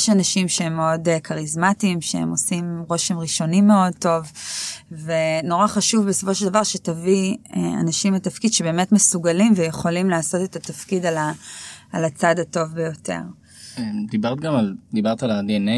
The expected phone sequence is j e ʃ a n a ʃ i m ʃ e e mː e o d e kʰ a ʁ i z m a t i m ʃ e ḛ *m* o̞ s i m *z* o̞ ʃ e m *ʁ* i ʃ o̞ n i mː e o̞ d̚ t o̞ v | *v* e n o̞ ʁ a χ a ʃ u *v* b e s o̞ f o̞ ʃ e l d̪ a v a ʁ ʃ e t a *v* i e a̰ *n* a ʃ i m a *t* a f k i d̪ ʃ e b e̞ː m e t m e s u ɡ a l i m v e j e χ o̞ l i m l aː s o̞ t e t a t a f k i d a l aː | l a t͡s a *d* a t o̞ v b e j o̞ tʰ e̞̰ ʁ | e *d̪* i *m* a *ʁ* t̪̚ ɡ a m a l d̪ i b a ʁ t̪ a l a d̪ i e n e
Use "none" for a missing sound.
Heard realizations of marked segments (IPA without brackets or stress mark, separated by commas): m, ʁ, ʁ, v, v, v, n, t, d, d̪, b, ʁ